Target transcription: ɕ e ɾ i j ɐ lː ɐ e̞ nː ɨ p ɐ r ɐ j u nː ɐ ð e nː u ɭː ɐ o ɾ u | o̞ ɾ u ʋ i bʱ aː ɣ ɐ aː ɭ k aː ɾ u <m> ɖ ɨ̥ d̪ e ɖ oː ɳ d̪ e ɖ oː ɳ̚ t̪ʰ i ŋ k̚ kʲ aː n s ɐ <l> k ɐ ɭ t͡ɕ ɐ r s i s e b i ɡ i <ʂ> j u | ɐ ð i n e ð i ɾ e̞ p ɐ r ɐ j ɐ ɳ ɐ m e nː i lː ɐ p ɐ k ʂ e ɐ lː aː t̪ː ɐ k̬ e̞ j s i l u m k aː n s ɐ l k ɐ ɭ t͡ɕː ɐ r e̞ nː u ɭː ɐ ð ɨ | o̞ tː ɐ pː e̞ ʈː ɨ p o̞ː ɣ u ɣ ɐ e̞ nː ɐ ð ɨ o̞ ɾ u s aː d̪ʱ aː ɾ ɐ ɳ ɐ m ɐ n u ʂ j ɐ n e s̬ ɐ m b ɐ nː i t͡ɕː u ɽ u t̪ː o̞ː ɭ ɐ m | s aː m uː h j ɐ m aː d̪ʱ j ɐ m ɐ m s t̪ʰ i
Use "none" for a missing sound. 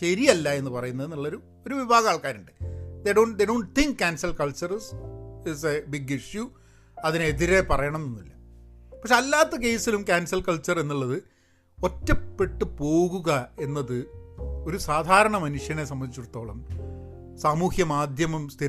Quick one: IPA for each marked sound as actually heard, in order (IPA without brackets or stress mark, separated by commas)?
ɳ, l, ʂ